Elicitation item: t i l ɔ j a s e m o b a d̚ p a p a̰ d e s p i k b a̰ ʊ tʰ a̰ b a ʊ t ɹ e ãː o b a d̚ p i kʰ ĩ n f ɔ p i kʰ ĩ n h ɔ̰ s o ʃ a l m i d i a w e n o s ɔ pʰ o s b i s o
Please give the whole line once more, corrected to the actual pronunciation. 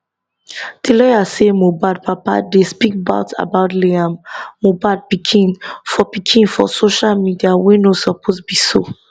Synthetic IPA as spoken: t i l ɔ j a s e m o b a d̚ p a p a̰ d e s p i k b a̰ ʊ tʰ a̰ b a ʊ t l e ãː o b a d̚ p i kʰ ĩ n f ɔ p i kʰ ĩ n f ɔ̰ s o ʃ a l m i d i a w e n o s ɔ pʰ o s b i s o